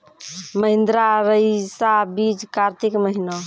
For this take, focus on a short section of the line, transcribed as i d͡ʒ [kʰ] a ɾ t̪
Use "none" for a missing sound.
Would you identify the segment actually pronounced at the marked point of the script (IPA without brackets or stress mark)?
k